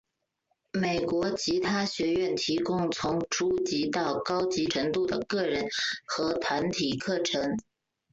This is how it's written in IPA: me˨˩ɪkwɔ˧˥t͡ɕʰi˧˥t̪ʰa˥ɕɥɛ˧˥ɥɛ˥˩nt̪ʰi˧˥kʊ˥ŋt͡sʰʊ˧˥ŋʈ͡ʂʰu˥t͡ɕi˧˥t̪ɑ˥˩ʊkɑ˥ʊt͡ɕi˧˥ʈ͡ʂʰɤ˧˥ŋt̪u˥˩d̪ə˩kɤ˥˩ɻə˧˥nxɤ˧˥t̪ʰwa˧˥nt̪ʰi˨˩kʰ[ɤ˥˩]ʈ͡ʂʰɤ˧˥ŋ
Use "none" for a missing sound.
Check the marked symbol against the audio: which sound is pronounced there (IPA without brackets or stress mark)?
ɤ˥˩